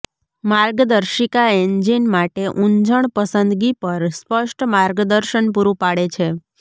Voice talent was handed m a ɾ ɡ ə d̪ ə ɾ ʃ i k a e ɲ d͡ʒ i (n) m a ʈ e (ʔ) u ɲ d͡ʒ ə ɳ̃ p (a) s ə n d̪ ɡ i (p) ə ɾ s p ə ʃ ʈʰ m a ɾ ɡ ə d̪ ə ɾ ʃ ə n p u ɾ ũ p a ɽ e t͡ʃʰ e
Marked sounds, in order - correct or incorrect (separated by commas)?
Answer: correct, correct, incorrect, correct